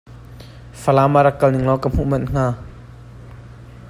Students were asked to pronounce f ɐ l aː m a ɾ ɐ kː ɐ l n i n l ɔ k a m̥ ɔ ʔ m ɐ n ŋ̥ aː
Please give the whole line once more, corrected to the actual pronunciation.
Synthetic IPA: f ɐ l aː m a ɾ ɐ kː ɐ l n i ŋ l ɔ k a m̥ u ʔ m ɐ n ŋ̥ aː